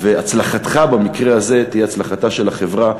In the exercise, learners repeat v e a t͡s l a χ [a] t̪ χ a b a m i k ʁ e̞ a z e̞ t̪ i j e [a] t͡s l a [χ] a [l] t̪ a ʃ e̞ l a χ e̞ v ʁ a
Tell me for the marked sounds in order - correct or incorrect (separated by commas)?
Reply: correct, correct, correct, incorrect